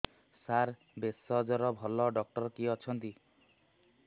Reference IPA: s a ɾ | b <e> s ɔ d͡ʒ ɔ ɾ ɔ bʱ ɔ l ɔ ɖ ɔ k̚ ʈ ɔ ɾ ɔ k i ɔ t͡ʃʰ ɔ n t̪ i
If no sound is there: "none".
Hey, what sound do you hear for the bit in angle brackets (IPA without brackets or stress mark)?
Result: e